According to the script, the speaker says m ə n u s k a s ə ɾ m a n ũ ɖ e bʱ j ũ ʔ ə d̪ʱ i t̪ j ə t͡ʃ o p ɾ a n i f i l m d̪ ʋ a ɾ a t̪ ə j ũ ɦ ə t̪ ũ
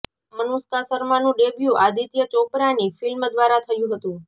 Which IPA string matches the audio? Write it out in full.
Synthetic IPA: m ə n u s k a s ə ɾ m a n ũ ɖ e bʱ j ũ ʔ a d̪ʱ i t̪ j ə t͡ʃ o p ɾ a n i f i l m d̪ ʋ a ɾ a t̪ʰ ə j ũ ɦ ə t̪ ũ